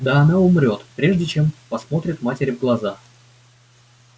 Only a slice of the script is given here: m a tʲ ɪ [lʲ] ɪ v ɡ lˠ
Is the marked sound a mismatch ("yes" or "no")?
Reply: yes